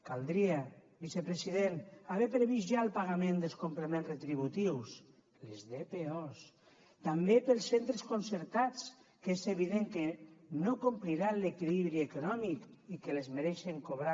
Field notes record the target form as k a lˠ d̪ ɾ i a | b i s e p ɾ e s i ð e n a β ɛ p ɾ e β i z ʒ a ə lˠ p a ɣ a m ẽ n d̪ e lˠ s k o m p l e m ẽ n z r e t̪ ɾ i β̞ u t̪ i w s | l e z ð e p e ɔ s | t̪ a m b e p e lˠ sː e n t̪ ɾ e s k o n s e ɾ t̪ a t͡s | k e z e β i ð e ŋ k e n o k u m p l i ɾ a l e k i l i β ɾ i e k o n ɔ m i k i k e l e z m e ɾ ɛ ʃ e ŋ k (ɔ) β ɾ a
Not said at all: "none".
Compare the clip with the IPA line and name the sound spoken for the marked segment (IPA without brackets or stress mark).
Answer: o